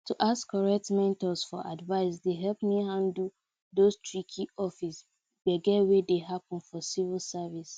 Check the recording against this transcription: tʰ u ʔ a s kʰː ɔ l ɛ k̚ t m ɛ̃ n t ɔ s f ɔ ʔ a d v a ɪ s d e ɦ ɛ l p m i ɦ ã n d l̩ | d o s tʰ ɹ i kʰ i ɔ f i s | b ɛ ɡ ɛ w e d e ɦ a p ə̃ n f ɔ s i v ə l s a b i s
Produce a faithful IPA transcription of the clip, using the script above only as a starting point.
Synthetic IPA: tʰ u ʔ a s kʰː ɔ ɹ ɛ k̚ t m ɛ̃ n t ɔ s f ɔ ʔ a d v a ɪ s d e ɦ ɛ l p m i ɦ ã n d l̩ | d o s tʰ ɹ i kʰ i ɔ f i s | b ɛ ɡ ɛ w e d e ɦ a p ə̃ n f ɔ s i v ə l s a v i s